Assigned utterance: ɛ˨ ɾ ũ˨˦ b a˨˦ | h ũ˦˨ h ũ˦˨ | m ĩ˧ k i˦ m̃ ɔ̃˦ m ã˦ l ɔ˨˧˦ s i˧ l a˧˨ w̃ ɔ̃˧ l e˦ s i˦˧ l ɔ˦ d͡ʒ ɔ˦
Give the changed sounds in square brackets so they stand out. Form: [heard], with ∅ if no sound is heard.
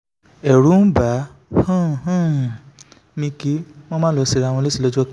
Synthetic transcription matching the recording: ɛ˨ ɾ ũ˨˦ b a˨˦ | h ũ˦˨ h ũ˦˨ | m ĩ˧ k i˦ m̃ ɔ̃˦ m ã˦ l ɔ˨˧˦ s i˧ [ɾ] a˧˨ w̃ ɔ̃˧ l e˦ s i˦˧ l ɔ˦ d͡ʒ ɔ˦